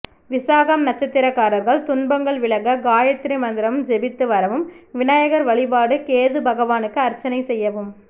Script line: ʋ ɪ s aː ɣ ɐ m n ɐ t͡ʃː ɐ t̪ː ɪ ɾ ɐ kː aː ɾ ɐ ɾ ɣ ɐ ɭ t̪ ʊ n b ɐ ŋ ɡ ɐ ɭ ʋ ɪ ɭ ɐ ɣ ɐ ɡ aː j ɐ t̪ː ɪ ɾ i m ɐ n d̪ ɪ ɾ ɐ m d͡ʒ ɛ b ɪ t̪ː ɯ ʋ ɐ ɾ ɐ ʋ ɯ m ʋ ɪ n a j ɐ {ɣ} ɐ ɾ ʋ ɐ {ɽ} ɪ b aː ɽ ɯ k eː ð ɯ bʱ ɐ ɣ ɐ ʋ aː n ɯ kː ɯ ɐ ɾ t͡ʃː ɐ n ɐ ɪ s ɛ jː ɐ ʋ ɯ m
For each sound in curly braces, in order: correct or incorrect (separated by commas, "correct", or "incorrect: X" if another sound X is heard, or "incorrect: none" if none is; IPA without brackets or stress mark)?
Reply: correct, incorrect: ɭ